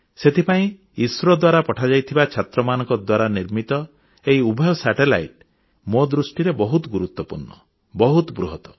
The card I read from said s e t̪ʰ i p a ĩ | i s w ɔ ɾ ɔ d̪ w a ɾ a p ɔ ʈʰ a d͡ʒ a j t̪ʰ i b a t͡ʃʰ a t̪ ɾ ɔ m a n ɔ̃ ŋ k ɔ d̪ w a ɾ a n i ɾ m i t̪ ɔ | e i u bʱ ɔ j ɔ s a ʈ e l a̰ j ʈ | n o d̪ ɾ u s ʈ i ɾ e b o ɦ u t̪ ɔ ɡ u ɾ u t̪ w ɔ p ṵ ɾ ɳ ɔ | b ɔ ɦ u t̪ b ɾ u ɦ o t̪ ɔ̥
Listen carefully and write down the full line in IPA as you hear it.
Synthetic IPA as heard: s e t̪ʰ i p a ĩ | i s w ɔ ɾ ɔ d̪ w a ɾ a p ɔ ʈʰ a d͡ʒ a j t̪ʰ i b a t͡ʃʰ a t̪ ɾ ɔ m a n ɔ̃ ŋ k ɔ d̪ w a ɾ a n i ɾ m i t̪ ɔ | e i u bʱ ɔ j ɔ s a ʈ e l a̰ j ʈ | m o d̪ ɾ u s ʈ i ɾ e b ɔ ɦ u t̪ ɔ ɡ u ɾ u t̪ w ɔ p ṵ ɾ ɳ ɔ | b ɔ ɦ u t̪ b ɾ u ɦ ɔ t̪ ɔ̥

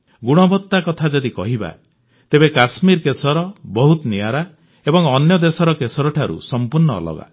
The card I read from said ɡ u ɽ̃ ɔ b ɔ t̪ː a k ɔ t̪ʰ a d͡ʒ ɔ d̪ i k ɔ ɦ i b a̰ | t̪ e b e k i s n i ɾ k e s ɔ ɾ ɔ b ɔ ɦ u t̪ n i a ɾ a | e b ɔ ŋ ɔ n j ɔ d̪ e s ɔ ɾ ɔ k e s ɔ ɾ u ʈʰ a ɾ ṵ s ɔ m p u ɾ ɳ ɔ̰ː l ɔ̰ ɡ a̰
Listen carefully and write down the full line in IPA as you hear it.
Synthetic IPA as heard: ɡ u ɽ̃ ɔ b ɔ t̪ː a k ɔ t̪ʰ a d͡ʒ ɔ d̪ i k ɔ ɦ i b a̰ | t̪ e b e k a s m i ɾ k e s ɔ ɾ ɔ b ɔ ɦ u t̪ n i a ɾ a | e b ɔ ŋ ɔ n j ɔ d̪ e s ɔ ɾ ɔ k e s ɔ ɾ ɔ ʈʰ a ɾ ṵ s ɔ m p u ɾ ɳ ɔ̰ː l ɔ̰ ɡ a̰

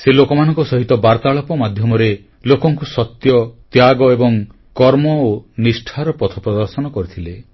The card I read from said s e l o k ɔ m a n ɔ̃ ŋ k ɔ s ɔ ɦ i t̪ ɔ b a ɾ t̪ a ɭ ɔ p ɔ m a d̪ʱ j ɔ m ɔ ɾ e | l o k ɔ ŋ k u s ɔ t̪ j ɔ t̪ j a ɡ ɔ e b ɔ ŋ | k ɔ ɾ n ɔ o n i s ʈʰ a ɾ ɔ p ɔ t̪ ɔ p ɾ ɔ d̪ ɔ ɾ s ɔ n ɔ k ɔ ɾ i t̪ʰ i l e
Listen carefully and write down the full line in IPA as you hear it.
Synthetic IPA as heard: s e l o k ɔ m a n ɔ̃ ŋ k ɔ s ɔ ɦ i t̪ ɔ b a ɾ t̪ a ɭ ɔ p ɔ m a d̪ʱ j ɔ m ɔ ɾ e | l o k ɔ ŋ k u s ɔ t̪ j ɔ t̪ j a ɡ ɔ e b ɔ ŋ | k ɔ ɾ m ɔ o n i s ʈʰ a ɾ ɔ p ɔ t̪ʰ ɔ p ɾ ɔ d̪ ɔ ɾ s ɔ n ɔ k ɔ ɾ i t̪ʰ i l e

